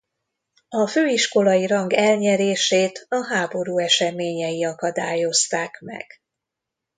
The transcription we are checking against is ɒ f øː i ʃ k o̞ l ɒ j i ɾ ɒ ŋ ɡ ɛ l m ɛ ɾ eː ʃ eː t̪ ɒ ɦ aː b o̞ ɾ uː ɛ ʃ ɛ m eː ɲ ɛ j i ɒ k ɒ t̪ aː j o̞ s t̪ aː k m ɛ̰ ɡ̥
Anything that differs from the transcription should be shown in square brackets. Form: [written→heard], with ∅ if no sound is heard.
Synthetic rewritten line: ɒ f øː i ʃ k o̞ l ɒ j i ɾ ɒ ŋ ɡ ɛ l [m→ɲ] ɛ ɾ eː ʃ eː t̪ ɒ ɦ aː b o̞ ɾ uː ɛ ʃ ɛ m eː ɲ ɛ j i ɒ k ɒ [t̪→d̪] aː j o̞ s t̪ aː k m ɛ̰ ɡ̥